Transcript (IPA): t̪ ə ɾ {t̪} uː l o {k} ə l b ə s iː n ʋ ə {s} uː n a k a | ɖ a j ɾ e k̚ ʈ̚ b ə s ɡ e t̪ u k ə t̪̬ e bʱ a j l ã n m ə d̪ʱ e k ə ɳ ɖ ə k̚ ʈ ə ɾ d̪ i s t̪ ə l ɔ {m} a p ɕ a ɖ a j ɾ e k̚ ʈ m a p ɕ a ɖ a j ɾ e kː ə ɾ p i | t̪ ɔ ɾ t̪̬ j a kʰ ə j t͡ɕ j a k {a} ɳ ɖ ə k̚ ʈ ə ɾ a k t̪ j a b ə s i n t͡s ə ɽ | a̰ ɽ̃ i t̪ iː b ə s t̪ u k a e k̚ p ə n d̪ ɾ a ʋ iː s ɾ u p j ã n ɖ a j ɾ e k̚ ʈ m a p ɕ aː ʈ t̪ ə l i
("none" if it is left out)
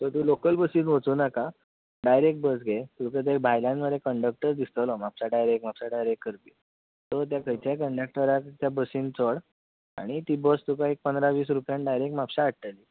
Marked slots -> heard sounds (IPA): t̪, k, t͡s, m, ə

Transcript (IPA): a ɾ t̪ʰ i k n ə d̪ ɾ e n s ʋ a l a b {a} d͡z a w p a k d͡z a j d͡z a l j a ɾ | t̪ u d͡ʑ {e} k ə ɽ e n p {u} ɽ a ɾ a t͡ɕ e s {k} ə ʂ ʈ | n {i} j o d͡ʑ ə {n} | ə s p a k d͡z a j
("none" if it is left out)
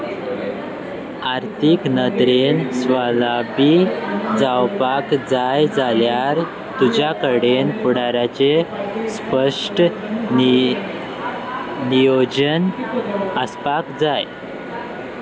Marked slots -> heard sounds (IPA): i, a, u, p, i, n

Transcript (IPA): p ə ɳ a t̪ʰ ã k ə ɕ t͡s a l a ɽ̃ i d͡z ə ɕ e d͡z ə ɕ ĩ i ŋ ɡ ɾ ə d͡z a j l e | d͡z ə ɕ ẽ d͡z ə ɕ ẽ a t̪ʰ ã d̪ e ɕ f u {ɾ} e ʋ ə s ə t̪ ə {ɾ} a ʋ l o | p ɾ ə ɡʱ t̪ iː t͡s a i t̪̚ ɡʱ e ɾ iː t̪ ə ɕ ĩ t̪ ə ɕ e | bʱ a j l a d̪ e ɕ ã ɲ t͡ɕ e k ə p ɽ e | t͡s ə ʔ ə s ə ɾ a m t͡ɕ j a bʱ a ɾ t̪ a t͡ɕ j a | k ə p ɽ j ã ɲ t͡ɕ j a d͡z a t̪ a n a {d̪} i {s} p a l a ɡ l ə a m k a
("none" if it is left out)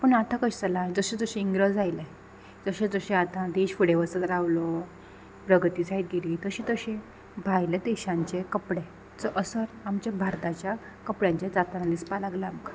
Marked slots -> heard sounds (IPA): ɽ, ɾ, d̪, s

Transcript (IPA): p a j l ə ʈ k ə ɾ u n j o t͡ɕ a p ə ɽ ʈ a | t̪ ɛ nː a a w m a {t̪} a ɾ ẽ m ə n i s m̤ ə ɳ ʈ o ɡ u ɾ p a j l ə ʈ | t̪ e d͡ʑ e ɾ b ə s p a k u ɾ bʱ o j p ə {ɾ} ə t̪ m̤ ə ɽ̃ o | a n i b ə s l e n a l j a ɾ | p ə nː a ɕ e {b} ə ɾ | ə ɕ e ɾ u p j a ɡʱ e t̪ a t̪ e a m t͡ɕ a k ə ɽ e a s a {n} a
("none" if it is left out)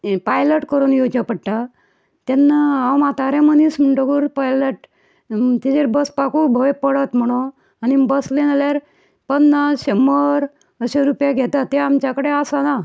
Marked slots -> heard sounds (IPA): t̪, ɽ, m, n

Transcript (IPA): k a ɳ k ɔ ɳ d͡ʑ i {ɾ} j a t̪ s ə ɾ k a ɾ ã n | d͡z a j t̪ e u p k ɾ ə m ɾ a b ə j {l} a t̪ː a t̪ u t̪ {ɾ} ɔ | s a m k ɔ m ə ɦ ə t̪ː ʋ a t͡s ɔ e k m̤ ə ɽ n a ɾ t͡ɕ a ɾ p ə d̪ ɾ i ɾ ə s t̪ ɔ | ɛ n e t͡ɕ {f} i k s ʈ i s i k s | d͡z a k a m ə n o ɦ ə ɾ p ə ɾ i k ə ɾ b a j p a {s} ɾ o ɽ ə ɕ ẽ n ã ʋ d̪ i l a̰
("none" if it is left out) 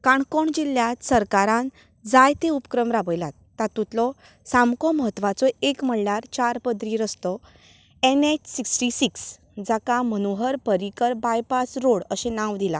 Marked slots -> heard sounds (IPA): l, l, l, s, s

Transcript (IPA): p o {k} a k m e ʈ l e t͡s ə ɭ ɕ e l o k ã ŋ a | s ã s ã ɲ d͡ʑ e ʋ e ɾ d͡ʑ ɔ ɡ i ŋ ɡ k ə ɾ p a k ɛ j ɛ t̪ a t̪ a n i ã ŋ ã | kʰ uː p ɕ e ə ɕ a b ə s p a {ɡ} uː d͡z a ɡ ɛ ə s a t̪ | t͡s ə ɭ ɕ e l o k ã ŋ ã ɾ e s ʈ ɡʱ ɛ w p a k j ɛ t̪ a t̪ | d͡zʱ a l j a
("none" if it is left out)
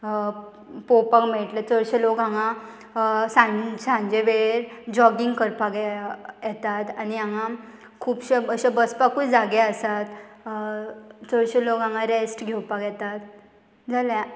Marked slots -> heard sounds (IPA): p, k

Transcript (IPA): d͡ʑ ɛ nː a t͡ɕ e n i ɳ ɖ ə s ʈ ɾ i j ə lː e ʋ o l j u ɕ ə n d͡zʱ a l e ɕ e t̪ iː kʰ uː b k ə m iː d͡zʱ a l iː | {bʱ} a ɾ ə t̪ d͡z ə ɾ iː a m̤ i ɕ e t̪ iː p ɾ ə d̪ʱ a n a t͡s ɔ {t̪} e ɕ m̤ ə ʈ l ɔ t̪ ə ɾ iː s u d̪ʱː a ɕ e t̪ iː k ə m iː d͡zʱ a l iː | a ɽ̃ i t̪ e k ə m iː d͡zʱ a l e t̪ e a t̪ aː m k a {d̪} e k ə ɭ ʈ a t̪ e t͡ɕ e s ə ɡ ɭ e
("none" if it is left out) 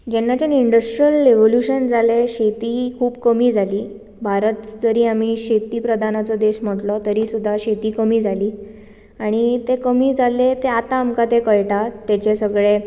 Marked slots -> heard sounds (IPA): bʱ, d̪, t̪

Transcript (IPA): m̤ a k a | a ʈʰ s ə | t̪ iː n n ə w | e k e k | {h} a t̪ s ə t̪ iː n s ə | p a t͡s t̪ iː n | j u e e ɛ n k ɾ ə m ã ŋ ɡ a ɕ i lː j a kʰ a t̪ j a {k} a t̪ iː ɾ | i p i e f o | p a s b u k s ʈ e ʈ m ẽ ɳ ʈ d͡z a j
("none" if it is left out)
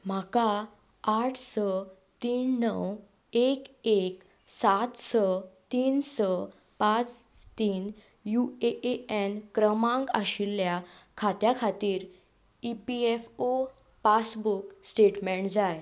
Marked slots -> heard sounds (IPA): s, kʰ

